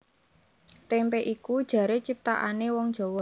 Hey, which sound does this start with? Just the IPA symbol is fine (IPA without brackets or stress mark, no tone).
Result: t̪